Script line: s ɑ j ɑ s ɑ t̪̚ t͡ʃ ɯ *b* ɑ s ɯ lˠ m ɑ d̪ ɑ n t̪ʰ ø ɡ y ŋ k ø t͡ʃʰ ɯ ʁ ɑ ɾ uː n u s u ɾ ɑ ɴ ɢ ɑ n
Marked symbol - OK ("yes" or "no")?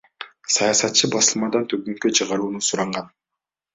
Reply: yes